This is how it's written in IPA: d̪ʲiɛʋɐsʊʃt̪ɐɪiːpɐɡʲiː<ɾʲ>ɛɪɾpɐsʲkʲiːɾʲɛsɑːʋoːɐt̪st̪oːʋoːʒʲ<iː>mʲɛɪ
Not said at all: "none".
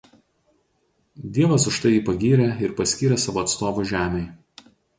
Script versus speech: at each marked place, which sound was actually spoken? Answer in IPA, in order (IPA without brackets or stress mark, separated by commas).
ɾʲ, æː